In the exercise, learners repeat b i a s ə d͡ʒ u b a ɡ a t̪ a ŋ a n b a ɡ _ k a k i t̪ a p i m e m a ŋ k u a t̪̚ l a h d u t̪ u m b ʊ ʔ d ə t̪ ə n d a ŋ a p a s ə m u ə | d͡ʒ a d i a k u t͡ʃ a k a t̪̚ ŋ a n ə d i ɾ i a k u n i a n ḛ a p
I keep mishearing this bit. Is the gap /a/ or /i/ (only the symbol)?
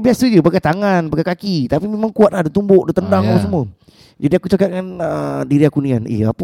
a